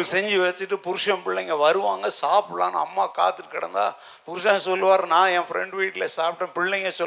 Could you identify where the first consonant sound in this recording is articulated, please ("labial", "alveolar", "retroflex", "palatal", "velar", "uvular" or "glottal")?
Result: alveolar